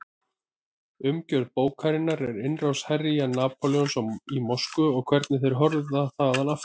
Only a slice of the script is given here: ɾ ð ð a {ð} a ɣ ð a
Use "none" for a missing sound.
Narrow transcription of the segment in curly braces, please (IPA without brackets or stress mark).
θ